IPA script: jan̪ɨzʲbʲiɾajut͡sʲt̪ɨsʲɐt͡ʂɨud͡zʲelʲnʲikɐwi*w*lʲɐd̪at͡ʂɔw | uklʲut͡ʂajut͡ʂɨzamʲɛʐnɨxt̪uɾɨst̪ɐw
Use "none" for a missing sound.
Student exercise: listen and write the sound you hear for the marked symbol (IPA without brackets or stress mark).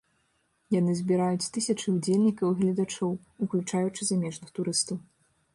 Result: ɣ